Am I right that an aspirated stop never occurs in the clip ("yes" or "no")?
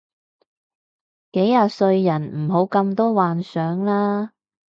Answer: yes